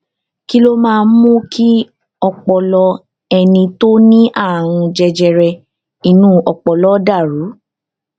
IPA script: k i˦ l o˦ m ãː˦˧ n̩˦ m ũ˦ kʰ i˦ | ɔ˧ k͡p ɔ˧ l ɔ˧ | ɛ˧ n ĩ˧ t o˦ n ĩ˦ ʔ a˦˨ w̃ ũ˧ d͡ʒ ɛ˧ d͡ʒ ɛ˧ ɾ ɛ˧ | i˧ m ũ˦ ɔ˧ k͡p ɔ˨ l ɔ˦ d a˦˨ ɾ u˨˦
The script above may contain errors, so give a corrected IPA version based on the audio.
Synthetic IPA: k i˦ l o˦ m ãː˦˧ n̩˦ m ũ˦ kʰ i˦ | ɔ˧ k͡p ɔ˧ l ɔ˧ | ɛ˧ n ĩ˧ t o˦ n ĩ˦ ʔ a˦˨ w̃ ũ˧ d͡ʒ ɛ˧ d͡ʒ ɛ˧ ɾ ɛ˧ | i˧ n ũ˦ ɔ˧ k͡p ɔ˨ l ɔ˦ d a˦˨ ɾ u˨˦